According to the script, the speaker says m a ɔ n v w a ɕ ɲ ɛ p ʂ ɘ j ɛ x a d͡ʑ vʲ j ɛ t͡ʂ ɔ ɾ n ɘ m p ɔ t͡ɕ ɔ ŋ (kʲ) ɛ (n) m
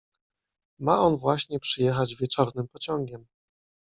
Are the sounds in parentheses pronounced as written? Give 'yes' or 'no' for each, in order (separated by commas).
no, no